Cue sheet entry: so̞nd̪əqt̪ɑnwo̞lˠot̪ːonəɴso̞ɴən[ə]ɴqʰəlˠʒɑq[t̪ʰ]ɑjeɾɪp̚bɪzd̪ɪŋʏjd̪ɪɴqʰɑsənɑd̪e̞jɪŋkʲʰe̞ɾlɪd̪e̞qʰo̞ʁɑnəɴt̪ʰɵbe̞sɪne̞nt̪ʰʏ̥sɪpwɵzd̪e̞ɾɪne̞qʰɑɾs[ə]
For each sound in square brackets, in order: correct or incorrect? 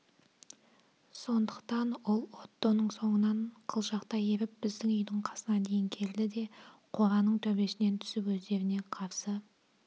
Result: incorrect, incorrect, correct

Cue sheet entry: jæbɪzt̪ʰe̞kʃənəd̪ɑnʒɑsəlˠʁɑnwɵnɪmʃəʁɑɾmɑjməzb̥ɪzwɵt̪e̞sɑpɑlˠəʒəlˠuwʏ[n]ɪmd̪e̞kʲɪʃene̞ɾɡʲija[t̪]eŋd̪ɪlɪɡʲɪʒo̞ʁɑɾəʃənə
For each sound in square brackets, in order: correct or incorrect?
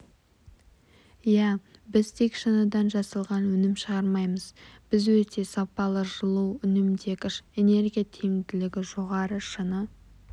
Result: correct, incorrect

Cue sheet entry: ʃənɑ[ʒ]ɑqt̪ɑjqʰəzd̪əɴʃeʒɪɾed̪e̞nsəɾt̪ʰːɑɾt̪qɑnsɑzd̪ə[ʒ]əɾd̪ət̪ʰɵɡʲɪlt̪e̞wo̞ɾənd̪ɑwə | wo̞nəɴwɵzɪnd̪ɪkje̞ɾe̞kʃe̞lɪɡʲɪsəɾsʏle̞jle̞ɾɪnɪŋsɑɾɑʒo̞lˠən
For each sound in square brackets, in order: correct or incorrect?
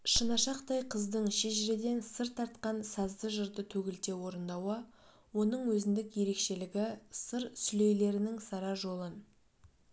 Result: incorrect, correct

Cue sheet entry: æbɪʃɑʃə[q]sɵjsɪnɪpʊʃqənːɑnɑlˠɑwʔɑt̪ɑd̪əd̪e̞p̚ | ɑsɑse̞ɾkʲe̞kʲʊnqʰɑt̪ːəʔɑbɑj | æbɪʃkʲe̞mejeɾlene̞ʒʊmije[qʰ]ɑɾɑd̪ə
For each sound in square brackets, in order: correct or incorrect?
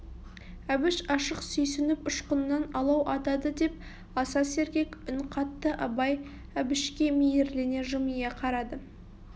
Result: correct, correct

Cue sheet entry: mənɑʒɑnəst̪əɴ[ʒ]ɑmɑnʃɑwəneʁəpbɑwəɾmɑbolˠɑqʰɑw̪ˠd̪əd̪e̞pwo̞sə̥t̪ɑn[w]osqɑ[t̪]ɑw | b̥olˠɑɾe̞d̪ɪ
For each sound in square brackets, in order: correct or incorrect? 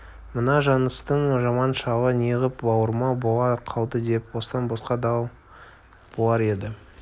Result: correct, incorrect, incorrect

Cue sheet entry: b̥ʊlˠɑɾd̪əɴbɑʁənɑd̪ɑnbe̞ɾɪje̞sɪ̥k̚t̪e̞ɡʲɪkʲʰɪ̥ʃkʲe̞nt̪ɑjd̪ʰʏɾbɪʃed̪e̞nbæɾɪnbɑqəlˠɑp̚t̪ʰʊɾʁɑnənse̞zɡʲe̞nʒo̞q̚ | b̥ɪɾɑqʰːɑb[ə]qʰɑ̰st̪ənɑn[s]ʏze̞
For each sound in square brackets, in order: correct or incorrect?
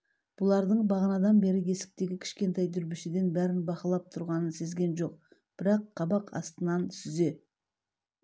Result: incorrect, correct

